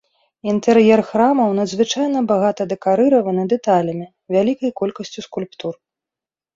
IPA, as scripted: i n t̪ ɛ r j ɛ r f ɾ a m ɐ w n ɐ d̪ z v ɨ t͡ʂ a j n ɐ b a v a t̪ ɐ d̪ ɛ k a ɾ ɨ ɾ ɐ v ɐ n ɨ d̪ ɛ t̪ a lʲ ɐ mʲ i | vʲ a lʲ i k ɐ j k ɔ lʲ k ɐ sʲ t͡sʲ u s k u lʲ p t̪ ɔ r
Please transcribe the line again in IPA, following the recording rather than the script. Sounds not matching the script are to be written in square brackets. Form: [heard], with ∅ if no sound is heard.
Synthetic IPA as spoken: i n t̪ ɛ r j ɛ r [x] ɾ a m ɐ w n ɐ d̪ z v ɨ t͡ʂ a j n ɐ b a [ɣ] a t̪ ɐ d̪ ɛ k a ɾ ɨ ɾ ɐ v ɐ n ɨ d̪ ɛ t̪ a lʲ ɐ mʲ i | vʲ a lʲ i k ɐ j k ɔ lʲ k ɐ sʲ t͡sʲ u s k u lʲ p t̪ [u] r